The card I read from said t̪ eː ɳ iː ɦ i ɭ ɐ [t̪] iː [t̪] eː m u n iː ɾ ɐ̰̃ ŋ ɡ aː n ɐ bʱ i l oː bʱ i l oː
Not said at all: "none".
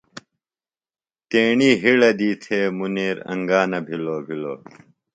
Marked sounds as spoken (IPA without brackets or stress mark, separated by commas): d̪, t̪ʰ